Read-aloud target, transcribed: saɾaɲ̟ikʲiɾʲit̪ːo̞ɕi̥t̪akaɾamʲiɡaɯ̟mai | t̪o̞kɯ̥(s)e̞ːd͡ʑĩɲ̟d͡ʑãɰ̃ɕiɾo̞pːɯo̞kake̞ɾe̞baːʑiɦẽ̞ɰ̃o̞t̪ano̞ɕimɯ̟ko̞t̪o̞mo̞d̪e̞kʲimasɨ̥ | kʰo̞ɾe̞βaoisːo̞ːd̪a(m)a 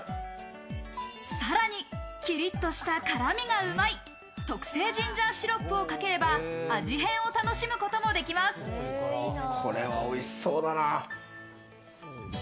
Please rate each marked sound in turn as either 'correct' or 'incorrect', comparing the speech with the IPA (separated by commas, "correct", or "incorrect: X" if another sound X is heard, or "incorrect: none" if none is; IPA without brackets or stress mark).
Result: correct, incorrect: n